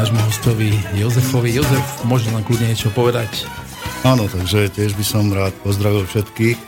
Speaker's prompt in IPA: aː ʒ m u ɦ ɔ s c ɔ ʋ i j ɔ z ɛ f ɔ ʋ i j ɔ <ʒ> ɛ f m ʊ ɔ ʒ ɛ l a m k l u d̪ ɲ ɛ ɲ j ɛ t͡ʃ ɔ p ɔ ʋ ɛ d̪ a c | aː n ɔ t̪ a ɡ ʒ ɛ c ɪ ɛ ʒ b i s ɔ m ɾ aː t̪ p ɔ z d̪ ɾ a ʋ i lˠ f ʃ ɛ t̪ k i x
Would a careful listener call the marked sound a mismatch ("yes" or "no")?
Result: yes